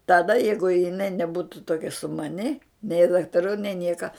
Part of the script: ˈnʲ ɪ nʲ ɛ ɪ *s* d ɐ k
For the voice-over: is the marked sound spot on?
no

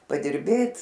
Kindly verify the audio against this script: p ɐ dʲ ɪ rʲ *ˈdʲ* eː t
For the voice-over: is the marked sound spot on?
no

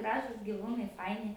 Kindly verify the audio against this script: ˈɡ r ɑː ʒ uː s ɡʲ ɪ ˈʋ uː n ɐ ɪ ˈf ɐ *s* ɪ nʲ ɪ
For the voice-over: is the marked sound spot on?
no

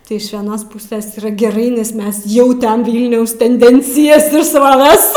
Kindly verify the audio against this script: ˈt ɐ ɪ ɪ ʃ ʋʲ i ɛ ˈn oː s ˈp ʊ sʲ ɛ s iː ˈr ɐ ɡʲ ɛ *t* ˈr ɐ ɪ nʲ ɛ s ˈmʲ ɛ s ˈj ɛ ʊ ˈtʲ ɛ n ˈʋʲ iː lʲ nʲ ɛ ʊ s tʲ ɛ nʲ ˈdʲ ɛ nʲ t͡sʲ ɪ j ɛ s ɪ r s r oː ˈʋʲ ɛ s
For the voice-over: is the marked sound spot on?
no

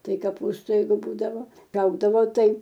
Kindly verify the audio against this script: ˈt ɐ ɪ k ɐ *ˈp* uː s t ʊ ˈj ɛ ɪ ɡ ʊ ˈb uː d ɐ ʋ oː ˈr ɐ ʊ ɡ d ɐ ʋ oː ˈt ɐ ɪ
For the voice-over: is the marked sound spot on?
yes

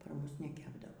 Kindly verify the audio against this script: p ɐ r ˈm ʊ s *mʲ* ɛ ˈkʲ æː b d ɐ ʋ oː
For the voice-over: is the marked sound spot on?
no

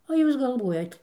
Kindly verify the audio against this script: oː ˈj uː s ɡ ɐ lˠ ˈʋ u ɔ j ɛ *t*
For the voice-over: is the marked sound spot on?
yes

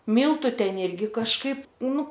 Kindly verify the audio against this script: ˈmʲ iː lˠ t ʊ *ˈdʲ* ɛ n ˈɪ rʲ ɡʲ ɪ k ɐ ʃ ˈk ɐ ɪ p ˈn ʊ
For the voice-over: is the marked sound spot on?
no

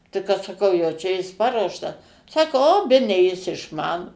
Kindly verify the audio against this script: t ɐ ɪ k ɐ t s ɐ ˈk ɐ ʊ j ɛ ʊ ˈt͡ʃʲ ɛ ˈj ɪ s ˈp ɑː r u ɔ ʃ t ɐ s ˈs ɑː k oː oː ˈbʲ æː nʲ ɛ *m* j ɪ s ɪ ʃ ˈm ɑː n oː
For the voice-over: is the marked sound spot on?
no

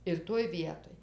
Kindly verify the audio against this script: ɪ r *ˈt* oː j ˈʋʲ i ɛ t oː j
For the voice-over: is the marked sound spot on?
yes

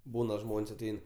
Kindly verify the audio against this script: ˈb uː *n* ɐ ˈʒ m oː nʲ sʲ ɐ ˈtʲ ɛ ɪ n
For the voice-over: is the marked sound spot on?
yes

